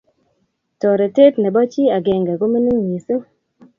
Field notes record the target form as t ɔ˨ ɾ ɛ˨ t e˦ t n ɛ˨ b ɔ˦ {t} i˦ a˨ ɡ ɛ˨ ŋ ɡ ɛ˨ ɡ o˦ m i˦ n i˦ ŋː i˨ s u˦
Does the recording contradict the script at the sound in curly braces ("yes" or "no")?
yes